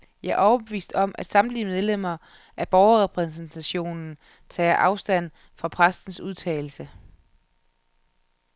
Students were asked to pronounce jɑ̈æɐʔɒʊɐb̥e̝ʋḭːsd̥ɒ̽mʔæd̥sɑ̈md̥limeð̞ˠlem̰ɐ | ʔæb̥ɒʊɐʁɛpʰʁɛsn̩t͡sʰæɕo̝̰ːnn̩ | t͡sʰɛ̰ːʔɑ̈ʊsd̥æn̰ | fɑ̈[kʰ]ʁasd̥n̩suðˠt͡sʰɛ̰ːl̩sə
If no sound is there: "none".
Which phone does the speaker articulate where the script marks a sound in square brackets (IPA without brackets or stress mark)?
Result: pʰ